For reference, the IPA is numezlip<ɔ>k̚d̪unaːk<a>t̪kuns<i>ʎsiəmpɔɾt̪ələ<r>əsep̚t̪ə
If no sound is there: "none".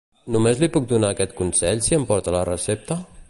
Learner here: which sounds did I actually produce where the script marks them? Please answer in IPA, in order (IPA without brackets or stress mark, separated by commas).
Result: u, ɛ, ɛ, r